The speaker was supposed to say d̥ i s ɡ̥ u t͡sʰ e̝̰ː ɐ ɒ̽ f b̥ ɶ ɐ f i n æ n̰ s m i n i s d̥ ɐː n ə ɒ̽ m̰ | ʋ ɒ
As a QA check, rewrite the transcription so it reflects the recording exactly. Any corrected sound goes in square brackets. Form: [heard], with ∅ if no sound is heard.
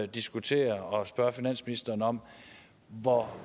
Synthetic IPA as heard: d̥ i s ɡ̥ u t͡sʰ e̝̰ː ɐ ɒ̽ [s] b̥ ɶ ɐ f i n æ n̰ s m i n i s d̥ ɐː n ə ɒ̽ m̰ | ʋ ɒ